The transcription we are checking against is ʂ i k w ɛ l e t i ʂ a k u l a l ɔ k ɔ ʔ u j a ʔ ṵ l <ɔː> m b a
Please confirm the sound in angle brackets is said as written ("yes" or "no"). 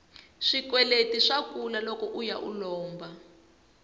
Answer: yes